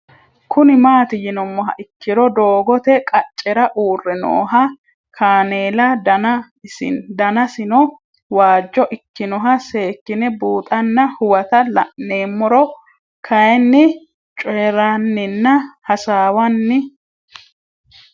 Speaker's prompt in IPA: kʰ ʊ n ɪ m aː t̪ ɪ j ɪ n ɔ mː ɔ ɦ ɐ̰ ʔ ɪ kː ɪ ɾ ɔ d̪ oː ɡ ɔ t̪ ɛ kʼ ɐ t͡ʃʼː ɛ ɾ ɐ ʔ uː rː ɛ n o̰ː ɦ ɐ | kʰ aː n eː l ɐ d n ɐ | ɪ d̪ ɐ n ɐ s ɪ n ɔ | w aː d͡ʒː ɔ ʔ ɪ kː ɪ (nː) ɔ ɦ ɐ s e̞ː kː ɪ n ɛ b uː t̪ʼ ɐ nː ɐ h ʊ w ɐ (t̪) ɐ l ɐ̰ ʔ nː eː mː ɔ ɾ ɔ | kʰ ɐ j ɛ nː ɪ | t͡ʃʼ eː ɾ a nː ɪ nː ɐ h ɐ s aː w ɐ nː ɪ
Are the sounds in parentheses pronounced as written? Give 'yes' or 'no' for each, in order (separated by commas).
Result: no, yes